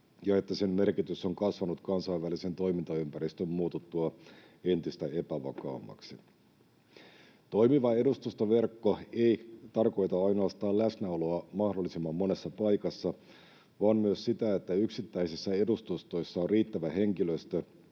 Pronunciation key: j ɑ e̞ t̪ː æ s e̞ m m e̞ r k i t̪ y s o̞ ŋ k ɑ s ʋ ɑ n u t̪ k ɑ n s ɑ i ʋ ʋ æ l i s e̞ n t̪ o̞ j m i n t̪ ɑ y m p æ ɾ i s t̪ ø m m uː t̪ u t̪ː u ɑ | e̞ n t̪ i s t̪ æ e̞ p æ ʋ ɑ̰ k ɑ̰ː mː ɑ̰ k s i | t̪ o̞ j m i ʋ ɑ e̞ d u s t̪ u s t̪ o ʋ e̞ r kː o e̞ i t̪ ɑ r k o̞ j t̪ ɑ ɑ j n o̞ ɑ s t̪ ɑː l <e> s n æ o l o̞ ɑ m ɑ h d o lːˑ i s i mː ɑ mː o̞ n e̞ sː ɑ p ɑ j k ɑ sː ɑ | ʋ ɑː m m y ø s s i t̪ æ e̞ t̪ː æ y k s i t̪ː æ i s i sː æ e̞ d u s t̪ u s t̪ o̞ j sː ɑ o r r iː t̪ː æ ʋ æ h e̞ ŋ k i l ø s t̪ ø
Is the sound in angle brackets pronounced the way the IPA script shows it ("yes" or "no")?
no